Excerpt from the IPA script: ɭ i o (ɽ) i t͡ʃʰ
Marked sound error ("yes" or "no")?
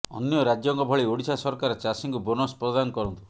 no